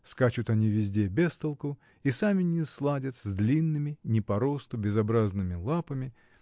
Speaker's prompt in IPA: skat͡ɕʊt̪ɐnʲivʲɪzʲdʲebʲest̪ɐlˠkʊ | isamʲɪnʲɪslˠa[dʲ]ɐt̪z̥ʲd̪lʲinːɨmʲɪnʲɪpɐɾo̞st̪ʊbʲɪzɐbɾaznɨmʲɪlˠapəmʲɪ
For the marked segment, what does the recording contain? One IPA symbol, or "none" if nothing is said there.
dʲ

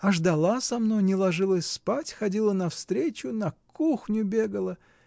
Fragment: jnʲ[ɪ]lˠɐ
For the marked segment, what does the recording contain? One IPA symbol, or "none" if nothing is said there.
ɪ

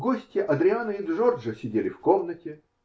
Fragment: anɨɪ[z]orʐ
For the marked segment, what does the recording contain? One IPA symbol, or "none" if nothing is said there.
ʐ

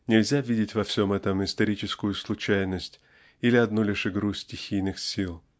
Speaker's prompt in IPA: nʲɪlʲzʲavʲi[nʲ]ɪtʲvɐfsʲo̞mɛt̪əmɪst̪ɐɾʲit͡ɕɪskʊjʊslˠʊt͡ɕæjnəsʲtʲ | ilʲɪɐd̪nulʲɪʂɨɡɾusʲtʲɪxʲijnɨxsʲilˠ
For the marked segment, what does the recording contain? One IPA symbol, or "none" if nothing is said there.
dʲ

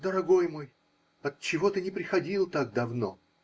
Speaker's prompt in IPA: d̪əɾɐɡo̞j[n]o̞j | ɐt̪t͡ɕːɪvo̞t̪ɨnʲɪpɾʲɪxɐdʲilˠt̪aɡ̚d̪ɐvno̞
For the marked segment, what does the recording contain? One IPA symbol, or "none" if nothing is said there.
m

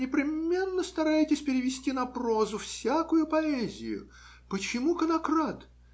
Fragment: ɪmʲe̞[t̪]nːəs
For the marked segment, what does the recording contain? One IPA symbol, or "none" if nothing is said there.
none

